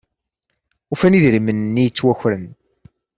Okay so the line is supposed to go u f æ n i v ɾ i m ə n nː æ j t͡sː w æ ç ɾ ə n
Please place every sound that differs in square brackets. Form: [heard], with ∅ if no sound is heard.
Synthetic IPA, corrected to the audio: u f æ n i [ð] ɾ i m ə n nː [i] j t͡sː w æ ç ɾ ə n